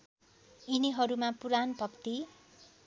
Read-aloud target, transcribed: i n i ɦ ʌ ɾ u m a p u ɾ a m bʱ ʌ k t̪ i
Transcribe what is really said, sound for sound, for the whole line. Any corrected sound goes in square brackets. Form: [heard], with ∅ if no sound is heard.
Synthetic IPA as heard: i n i ɦ ʌ ɾ u m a p u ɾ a [n] bʱ ʌ k t̪ i